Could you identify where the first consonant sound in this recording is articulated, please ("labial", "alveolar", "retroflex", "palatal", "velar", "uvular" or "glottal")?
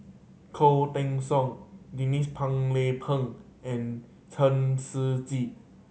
velar